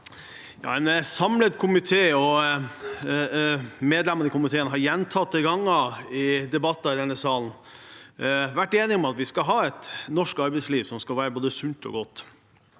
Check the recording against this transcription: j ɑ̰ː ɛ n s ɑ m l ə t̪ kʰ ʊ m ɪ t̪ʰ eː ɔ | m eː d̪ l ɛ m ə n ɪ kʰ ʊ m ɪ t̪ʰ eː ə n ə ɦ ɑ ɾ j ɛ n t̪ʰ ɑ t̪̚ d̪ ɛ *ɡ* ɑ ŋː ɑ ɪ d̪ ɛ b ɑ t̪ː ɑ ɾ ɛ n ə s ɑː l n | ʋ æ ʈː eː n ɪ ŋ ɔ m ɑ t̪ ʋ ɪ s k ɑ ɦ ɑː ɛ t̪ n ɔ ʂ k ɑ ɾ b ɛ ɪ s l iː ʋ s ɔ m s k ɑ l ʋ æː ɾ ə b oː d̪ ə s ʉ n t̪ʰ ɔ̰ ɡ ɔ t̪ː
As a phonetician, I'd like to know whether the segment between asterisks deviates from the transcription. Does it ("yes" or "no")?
no